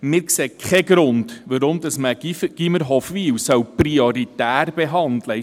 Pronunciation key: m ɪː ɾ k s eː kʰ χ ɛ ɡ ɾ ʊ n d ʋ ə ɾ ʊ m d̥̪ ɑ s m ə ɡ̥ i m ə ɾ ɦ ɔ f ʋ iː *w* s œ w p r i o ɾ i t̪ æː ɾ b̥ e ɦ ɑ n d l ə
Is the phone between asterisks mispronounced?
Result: no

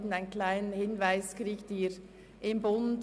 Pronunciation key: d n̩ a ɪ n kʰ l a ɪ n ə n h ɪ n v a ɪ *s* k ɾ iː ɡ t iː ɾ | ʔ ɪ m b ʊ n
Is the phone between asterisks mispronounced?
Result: no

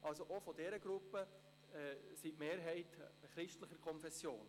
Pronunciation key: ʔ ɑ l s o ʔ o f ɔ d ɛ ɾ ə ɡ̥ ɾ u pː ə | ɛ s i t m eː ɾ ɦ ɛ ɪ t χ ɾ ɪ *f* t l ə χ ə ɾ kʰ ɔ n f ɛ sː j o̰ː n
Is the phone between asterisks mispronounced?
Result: yes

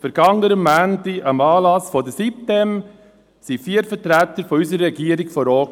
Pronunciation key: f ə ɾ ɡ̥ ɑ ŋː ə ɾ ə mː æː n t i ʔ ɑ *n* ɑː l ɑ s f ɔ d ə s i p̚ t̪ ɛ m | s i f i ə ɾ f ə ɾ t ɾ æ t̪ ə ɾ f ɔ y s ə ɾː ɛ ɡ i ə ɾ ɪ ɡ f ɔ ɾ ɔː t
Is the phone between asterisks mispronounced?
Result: yes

